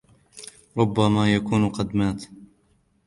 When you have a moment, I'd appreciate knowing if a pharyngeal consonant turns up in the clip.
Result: no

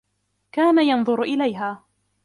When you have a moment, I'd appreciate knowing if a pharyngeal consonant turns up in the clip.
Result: no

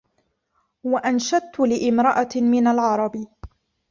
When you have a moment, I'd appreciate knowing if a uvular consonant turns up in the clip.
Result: no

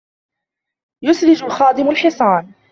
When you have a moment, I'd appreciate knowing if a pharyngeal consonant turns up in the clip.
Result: yes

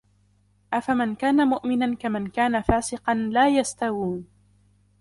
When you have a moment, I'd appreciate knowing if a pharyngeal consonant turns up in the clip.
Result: no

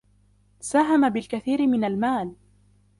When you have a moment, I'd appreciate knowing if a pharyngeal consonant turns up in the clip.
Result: no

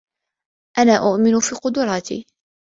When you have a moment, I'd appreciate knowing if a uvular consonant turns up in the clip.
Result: yes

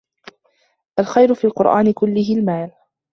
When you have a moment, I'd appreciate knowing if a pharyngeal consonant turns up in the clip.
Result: no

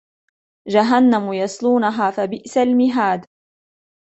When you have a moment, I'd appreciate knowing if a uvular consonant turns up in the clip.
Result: no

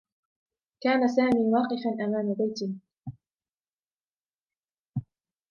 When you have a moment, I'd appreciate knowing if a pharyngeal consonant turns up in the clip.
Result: no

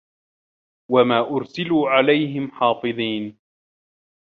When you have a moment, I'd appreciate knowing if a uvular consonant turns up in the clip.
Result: no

